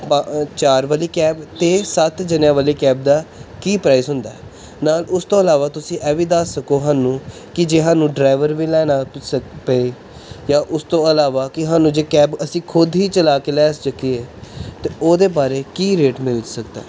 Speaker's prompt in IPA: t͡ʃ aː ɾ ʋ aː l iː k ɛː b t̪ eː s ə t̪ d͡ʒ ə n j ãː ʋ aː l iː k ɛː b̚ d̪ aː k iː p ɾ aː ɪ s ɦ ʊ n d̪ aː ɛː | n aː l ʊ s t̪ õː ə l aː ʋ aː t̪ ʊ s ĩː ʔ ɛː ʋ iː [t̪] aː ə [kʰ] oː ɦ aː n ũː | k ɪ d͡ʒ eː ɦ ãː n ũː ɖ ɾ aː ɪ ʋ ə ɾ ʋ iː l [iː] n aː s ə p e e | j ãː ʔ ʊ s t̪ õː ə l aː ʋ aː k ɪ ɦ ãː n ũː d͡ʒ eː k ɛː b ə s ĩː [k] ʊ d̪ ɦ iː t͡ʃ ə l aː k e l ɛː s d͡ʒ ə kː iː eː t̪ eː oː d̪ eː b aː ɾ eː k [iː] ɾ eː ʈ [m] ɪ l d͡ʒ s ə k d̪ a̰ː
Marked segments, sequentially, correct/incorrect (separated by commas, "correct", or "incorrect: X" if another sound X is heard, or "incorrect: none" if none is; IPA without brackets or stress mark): incorrect: d̪, incorrect: k, incorrect: ɛː, incorrect: kʰ, correct, correct